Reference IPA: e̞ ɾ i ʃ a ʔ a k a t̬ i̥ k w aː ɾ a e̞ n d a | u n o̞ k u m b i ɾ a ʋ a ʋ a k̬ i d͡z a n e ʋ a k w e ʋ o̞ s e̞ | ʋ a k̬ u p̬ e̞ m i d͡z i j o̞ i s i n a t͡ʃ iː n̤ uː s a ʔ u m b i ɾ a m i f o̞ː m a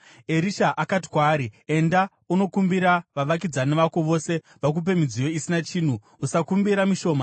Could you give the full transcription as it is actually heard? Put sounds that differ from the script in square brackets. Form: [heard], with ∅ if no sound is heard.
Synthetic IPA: e̞ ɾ i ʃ a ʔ a k a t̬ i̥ k w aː ɾ [i] e̞ n d a | u n o̞ k u m b i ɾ a ʋ a ʋ a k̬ i d͡z a n e ʋ a k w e ʋ o̞ s e̞ | ʋ a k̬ u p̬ e̞ m i d͡z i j o̞ i s i n a t͡ʃ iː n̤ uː s a [k] u m b i ɾ a m i [ʃ] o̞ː m a